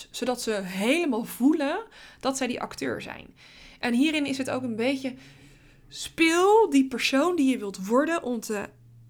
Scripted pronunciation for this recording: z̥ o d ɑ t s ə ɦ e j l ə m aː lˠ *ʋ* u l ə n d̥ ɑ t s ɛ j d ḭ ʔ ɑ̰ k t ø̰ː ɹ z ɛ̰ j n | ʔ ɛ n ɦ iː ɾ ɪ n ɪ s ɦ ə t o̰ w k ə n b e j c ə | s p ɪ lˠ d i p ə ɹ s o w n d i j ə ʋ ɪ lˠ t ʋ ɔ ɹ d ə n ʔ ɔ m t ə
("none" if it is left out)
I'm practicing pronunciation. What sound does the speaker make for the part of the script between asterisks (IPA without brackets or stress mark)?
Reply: v